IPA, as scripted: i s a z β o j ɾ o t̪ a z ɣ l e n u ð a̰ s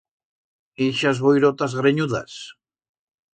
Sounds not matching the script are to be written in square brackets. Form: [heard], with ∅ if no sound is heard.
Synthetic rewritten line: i [ʃ] a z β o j ɾ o t̪ a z ɣ [ɾ] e [ɲ] u ð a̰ s

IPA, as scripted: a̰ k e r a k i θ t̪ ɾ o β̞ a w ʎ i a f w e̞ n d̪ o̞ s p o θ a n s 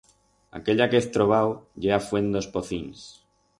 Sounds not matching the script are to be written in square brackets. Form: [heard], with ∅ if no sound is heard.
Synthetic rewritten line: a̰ k e [ʎ] a k [e] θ t̪ ɾ o β̞ a w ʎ [e] a f w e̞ n d̪ o̞ s p o θ [i] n s

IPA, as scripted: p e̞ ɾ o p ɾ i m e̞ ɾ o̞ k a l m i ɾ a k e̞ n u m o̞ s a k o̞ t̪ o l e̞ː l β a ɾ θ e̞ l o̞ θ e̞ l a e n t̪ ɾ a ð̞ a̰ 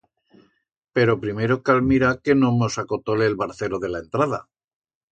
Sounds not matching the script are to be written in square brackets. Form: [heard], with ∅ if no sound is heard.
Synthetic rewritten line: p e̞ ɾ o p ɾ i m e̞ ɾ o̞ k a l m i ɾ a k e̞ n [o] m o̞ s a k o̞ t̪ o l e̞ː l β a ɾ θ e̞ l o̞ [ð] e̞ l a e n t̪ ɾ a ð̞ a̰

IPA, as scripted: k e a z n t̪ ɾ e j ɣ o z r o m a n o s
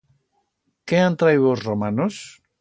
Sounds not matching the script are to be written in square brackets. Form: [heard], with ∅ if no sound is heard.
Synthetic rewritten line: k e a [∅] n t̪ ɾ [a] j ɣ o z r o m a n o s

